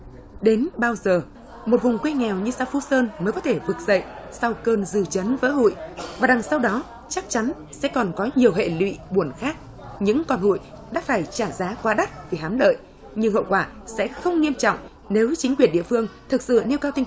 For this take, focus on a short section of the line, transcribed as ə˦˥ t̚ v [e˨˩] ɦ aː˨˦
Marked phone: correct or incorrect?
incorrect: i˨˩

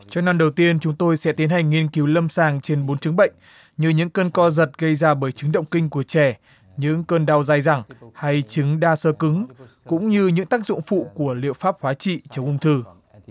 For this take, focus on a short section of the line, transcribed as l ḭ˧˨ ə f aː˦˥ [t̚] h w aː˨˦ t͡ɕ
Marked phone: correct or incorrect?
incorrect: p̚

